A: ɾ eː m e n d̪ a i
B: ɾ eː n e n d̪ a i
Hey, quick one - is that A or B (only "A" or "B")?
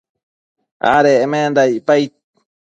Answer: A